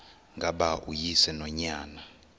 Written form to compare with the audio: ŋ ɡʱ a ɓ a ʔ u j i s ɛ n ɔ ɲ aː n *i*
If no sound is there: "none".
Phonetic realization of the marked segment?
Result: a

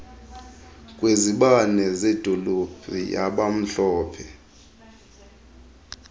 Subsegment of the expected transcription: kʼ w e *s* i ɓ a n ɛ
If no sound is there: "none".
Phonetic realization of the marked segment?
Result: z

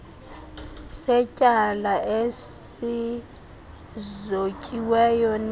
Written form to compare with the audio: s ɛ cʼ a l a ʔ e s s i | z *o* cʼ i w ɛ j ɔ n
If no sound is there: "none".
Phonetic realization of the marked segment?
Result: o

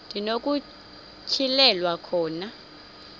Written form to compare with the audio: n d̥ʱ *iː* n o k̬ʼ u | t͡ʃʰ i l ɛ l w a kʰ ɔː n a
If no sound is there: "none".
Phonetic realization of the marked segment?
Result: i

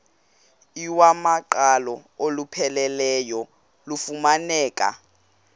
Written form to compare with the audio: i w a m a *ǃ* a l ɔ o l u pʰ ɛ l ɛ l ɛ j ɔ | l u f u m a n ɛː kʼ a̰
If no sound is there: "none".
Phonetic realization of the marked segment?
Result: ǃ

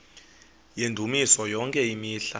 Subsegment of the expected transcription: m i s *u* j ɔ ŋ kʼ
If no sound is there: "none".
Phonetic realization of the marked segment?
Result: ɔ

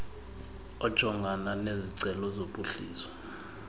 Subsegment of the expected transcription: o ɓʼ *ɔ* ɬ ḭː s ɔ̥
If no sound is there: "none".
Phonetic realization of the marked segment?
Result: u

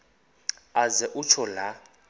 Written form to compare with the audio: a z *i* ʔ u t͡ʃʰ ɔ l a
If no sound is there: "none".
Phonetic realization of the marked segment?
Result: ɛ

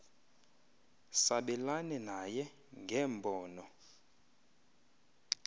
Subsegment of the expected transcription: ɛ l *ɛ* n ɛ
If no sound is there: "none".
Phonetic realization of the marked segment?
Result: a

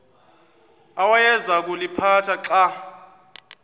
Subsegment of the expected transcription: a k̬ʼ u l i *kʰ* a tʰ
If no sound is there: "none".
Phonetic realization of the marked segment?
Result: pʰ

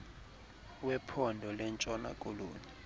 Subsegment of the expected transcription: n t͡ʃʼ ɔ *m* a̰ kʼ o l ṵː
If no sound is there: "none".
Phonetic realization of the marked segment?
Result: n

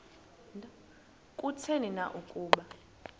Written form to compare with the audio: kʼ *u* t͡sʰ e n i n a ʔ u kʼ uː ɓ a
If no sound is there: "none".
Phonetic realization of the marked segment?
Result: u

